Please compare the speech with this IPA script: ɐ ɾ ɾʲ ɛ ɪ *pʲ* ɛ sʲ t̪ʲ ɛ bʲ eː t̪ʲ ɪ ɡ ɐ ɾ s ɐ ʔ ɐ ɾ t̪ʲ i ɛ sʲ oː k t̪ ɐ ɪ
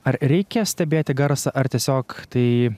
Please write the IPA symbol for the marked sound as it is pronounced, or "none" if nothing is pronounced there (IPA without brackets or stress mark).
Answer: kʲ